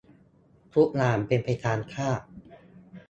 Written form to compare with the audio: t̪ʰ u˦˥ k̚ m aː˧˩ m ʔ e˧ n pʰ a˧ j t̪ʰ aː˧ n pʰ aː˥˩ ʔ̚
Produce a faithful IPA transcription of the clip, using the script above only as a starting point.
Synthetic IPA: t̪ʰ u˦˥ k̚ n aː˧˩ m p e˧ n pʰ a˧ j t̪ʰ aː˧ n kʰ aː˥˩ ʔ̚